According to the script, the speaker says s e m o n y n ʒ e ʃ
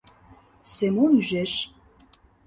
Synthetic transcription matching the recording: s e m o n y ʒ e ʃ